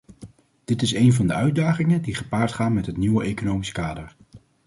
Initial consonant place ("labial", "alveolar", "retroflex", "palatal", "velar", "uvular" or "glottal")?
alveolar